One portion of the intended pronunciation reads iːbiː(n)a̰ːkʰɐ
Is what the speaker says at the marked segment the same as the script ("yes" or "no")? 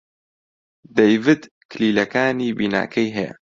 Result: yes